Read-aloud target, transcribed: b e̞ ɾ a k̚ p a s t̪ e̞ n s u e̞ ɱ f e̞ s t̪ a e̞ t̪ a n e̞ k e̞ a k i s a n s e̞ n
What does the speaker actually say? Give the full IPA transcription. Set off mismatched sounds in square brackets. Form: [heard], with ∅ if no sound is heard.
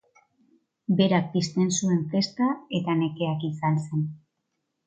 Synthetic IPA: b e̞ ɾ a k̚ p [i] s t̪ e̞ n s u e̞ ɱ f e̞ s t̪ a e̞ t̪ a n e̞ k e̞ a k i s a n s e̞ n